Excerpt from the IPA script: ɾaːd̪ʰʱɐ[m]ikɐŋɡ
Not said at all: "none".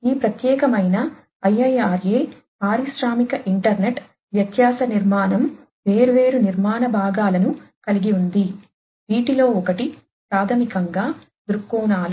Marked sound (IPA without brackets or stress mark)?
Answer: m